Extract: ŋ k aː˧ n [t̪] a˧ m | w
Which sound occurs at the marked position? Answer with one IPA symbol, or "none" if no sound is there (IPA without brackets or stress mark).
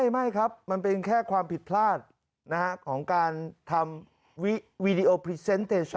t̪ʰ